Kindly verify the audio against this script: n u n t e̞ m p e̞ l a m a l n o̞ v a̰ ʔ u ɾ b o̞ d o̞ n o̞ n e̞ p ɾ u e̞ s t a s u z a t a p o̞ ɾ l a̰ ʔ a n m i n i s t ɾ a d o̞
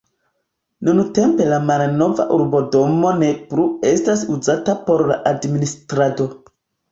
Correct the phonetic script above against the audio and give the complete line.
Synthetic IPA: n u n t e̞ m p e̞ l a m a l n o̞ v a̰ ʔ u ɾ b o̞ d o̞ m o̞ n e̞ p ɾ u e̞ s t a s u z a t a p o̞ ɾ l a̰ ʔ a d m i n i s t ɾ a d o̞